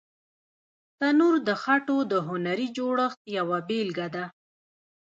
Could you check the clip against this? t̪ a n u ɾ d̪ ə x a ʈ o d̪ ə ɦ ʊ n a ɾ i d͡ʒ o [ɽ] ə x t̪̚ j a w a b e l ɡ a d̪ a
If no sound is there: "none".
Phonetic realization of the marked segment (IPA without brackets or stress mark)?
ɽ